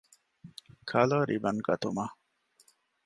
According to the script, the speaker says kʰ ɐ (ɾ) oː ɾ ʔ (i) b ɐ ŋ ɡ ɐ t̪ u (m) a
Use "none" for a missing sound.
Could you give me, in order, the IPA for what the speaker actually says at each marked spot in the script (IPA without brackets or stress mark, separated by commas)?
l, i, m